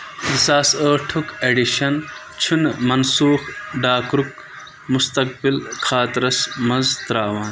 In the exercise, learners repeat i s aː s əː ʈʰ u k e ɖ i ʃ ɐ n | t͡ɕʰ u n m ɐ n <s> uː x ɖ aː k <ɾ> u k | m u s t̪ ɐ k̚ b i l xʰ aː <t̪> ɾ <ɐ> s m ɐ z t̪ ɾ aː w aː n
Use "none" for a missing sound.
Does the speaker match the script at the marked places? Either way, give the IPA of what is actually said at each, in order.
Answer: s, ɾ, t̪, ɐ

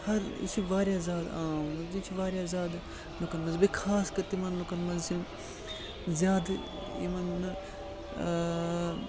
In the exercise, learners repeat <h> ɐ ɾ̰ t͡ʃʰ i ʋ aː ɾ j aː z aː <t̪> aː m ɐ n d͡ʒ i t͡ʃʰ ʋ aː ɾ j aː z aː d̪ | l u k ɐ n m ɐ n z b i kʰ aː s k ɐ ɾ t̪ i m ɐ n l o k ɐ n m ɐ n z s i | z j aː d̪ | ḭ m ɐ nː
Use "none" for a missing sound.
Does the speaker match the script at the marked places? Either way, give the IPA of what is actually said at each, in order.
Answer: h, d̪

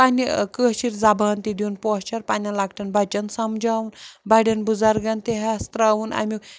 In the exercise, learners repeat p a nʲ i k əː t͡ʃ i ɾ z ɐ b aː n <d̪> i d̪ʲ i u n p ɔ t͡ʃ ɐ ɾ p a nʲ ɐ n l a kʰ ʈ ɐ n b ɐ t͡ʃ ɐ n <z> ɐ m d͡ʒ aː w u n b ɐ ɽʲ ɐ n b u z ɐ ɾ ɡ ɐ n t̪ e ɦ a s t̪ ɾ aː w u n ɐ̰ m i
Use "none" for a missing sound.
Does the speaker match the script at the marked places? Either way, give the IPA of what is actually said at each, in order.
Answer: t̪, s

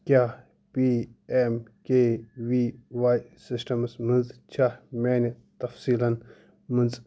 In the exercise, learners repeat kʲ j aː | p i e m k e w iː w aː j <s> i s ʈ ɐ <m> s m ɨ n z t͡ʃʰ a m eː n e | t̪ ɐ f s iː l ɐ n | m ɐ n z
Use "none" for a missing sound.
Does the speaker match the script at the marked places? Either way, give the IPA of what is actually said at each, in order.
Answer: s, m

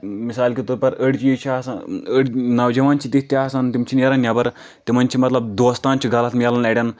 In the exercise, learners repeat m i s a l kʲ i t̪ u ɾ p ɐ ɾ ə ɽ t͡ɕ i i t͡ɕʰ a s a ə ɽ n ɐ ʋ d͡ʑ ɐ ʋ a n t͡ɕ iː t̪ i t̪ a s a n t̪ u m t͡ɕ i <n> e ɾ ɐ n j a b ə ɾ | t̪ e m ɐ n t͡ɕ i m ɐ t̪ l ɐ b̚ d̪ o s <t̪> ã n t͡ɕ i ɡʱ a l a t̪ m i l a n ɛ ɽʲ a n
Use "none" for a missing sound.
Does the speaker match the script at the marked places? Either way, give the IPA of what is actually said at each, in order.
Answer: n, t̪

